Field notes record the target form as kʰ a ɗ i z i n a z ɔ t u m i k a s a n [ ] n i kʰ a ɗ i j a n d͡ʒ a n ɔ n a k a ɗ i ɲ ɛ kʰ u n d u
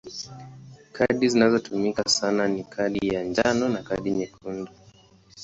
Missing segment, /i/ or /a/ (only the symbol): a